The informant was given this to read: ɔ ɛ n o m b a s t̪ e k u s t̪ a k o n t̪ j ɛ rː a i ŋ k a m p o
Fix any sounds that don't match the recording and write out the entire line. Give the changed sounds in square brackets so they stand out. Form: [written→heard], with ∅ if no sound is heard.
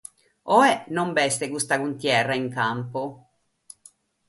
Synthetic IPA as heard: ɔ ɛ n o m b [a→ɛ] s t̪ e k u s t̪ a k [o→u] n t̪ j ɛ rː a i ŋ k a m p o

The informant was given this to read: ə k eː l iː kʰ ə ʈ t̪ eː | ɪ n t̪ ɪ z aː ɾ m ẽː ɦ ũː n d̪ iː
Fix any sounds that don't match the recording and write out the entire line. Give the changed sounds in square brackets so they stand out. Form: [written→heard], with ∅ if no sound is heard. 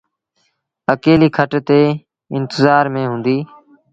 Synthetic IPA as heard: ə k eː l iː kʰ ə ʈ t̪ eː | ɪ n t̪ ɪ z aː ɾ m ẽː ɦ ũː n d̪ iː

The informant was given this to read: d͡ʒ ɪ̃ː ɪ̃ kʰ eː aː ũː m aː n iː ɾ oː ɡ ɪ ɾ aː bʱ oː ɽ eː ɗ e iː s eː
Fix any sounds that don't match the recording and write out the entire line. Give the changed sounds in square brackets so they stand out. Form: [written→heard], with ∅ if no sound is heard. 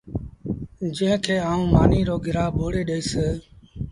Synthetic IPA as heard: d͡ʒ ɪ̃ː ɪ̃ kʰ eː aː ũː m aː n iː ɾ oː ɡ ɪ ɾ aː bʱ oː ɽ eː ɗ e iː s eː

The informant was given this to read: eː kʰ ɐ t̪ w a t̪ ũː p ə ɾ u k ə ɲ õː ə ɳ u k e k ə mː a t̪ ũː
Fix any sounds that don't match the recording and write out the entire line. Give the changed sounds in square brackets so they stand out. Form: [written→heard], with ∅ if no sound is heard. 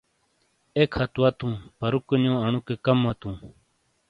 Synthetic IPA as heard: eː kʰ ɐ t̪ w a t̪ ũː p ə ɾ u k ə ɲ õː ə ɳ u k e k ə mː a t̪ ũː

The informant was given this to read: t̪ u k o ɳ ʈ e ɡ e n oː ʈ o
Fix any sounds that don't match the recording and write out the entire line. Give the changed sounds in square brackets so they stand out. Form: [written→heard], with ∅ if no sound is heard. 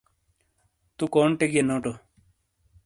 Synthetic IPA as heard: t̪ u k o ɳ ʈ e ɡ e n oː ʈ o

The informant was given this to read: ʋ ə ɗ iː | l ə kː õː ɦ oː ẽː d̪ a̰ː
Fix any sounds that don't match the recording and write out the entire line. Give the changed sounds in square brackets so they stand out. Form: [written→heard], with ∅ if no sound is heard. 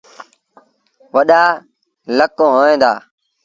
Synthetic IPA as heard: ʋ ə ɗ [iː→aː] | l ə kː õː ɦ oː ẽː d̪ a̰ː

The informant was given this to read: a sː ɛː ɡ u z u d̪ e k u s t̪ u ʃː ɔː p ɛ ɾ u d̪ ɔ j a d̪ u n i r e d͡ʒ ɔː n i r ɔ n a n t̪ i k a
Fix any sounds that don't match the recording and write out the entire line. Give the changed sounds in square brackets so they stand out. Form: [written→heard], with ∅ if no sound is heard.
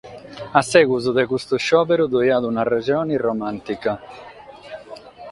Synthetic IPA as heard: a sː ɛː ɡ u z u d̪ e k u s t̪ u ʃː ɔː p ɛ ɾ u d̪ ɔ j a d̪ u n [i→a] r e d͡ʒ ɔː n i r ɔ [n→m] a n t̪ i k a

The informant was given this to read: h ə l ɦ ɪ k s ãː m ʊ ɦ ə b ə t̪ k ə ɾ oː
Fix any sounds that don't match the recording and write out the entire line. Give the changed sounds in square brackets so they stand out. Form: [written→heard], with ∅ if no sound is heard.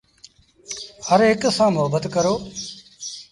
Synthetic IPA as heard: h ə [l→ɾ] ɦ ɪ k s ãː m ʊ ɦ ə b ə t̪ k ə ɾ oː

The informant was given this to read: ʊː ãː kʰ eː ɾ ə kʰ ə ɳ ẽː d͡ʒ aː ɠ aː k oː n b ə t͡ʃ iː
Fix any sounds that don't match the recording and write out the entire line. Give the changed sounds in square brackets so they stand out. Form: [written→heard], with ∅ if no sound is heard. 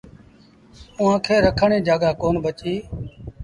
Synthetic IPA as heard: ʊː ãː kʰ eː ɾ ə kʰ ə ɳ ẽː d͡ʒ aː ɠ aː k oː n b ə t͡ʃ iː

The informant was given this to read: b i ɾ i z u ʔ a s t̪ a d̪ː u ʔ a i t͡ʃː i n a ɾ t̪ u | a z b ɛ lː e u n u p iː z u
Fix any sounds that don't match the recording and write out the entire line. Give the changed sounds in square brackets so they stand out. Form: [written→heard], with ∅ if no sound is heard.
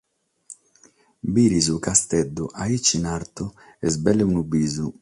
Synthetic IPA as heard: b i ɾ i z u [ʔ→k] a s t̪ [a→ɛ] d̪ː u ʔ a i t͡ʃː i n a ɾ t̪ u | [a→ɛ] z b ɛ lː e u n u [p→b] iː z u

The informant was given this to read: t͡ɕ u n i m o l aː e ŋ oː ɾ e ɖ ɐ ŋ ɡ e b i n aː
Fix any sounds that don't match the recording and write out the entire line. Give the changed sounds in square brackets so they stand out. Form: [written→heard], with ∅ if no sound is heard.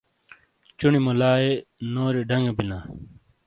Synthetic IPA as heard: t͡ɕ u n i m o l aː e [ŋ→n] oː ɾ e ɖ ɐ ŋ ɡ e b i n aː

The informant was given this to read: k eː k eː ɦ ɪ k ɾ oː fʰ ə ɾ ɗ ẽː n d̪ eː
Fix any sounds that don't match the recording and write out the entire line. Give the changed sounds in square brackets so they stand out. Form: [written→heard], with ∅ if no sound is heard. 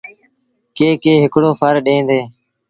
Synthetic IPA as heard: k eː k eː ɦ ɪ k [ɾ→ɽ] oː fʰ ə ɾ ɗ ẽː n d̪ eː

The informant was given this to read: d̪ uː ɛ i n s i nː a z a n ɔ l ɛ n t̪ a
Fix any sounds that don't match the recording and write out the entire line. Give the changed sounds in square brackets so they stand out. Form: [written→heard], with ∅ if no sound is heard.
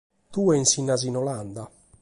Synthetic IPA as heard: [d̪→t̪] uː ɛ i n s i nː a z [a→i] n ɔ l [ɛ→a] n [t̪→d̪] a

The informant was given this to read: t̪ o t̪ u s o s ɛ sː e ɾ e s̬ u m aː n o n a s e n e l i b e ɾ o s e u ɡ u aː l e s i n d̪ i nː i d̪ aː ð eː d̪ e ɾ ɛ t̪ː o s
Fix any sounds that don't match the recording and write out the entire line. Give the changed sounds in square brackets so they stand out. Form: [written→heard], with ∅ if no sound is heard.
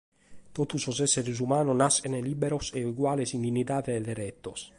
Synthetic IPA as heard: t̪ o t̪ u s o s ɛ sː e ɾ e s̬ u m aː n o n a s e n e l i b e ɾ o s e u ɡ [u→w] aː l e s i n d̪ i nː i [d̪→t̪] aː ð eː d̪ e ɾ ɛ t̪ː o s

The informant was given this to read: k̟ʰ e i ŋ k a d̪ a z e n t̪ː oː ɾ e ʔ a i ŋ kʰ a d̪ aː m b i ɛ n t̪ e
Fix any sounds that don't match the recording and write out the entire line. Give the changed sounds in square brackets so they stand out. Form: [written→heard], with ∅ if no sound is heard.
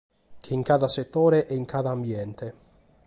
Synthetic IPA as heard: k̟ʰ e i ŋ k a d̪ a [z→s] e [n→∅] t̪ː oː ɾ e ʔ [a→ɛ] i ŋ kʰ a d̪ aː m b [i→j] ɛ n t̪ e

